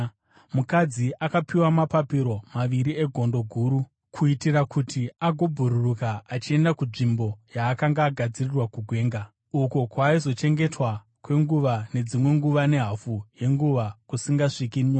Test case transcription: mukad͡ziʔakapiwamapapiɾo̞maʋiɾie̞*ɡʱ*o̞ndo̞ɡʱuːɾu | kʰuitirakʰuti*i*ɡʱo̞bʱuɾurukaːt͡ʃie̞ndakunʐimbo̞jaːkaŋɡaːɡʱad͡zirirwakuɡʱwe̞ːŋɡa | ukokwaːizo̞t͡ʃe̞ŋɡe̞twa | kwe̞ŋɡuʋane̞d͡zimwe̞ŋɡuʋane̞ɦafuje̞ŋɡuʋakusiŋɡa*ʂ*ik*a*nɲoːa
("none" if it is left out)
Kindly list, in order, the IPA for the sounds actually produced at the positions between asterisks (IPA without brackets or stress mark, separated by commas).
ɡʱ, a, ʂ, i